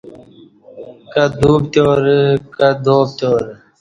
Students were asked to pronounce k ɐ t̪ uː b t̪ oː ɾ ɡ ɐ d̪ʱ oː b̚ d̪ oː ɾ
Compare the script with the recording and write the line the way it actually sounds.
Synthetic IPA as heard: k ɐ d̪ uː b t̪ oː ɾ k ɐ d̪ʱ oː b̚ t̪ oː ɾ